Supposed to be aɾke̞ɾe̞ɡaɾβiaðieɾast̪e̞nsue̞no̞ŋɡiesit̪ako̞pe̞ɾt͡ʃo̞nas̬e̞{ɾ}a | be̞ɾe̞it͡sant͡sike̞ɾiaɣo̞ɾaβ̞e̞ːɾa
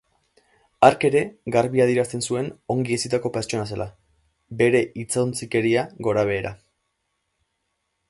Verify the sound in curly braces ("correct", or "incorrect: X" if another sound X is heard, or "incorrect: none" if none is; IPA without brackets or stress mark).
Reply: incorrect: l